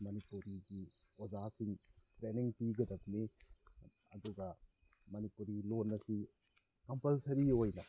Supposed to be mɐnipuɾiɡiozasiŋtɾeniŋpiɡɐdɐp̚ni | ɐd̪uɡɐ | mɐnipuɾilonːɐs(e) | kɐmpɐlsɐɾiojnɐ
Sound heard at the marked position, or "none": i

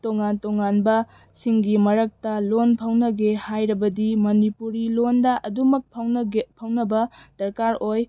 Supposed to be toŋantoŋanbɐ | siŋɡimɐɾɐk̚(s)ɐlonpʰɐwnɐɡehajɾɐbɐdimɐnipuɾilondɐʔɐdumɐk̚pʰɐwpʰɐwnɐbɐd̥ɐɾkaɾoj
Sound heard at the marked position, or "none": t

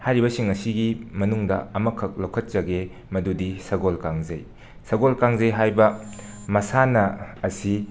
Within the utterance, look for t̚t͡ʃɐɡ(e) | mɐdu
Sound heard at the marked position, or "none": e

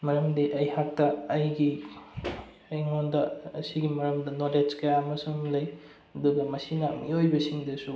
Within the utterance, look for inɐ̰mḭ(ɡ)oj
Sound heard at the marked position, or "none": none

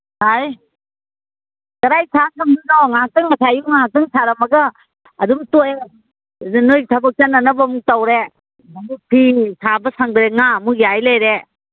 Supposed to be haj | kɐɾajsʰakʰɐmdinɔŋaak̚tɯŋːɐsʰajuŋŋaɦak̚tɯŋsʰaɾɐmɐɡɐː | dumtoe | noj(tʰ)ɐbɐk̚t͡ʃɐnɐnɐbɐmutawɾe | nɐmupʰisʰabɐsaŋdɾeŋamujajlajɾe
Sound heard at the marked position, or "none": tʰ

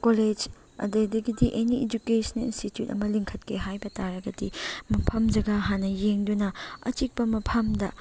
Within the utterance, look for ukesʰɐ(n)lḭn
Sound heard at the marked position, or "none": n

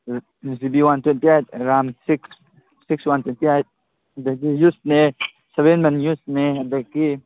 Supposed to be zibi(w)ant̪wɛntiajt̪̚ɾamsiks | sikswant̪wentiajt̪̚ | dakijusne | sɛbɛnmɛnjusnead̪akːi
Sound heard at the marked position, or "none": w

